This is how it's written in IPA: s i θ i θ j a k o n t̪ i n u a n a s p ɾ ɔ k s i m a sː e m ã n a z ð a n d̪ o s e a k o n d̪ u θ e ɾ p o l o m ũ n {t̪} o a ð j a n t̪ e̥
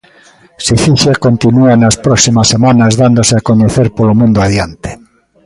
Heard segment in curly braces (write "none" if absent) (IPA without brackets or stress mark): d̪